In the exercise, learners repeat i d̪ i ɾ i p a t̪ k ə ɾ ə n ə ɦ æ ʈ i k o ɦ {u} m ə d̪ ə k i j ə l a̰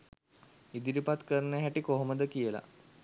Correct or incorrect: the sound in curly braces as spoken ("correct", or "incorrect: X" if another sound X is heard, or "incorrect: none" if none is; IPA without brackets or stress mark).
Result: incorrect: o